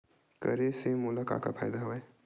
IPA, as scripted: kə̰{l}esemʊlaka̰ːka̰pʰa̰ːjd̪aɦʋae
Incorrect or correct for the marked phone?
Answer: incorrect: ɾ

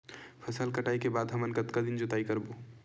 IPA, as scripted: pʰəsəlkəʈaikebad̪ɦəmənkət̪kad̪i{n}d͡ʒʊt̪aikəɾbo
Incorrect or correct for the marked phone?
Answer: correct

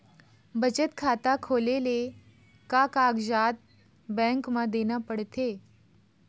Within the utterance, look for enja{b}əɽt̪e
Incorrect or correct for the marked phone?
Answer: incorrect: p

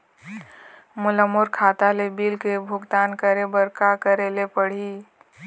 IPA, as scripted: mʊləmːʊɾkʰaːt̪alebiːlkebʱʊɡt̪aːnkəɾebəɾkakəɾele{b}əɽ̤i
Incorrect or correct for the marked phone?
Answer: incorrect: p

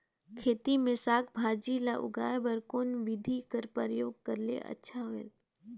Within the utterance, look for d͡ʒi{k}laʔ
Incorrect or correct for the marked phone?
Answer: incorrect: none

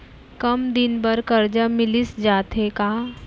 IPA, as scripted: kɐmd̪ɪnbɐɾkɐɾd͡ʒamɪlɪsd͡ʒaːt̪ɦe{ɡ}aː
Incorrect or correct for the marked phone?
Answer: incorrect: k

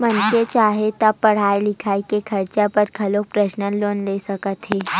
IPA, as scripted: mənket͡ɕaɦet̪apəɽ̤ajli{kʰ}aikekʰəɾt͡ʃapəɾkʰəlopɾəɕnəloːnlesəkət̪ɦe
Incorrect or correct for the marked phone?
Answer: correct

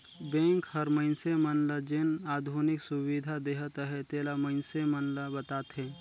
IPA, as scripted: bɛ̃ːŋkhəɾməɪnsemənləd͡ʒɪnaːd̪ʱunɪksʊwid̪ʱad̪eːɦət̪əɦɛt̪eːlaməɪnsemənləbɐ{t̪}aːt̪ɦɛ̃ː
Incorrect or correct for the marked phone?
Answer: correct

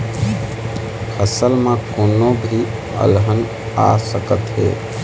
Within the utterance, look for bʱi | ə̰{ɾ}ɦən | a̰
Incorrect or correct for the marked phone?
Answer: incorrect: l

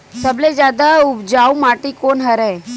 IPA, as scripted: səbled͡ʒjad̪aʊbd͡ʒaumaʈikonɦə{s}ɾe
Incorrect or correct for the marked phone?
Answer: incorrect: none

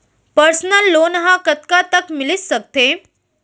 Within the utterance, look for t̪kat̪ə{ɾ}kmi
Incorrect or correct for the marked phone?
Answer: incorrect: none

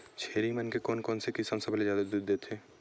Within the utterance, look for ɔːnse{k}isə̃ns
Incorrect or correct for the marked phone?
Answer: correct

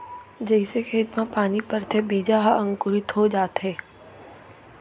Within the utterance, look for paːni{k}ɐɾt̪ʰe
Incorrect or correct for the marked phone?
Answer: incorrect: p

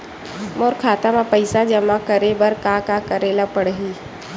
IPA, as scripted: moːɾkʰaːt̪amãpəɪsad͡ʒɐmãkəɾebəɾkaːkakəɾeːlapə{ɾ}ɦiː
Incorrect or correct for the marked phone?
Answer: incorrect: ɽ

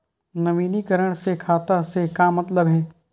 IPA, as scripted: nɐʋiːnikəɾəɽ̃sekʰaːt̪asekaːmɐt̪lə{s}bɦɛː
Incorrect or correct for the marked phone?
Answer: incorrect: none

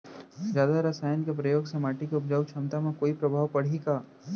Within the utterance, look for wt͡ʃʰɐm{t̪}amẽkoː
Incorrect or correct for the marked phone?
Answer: correct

